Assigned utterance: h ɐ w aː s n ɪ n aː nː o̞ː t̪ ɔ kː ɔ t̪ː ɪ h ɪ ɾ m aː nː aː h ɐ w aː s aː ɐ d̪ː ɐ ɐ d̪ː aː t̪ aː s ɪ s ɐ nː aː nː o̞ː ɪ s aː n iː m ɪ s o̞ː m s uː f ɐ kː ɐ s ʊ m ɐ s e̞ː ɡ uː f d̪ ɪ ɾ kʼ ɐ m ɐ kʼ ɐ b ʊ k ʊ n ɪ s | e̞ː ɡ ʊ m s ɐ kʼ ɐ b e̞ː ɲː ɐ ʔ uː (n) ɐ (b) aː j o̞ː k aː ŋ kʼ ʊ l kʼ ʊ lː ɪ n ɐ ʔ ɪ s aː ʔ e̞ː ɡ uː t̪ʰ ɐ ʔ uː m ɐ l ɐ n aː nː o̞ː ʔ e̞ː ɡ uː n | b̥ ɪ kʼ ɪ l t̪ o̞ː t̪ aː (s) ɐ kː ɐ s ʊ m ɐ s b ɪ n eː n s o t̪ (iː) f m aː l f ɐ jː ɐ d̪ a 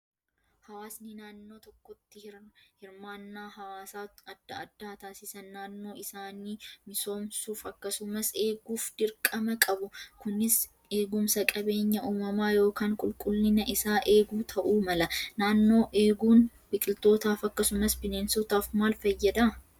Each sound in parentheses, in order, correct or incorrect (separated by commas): incorrect, incorrect, incorrect, incorrect